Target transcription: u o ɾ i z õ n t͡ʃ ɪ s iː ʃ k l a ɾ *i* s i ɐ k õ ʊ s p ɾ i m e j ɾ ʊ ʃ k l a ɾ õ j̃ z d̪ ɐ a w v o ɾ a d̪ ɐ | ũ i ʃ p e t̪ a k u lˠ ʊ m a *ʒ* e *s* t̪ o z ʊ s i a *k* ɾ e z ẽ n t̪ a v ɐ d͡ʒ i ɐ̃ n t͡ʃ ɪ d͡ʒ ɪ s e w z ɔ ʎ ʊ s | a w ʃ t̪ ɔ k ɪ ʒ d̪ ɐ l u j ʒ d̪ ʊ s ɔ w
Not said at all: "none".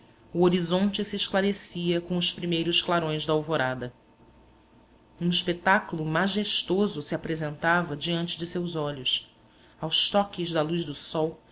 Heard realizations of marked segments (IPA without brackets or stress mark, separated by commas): e, ʒ, ʃ, p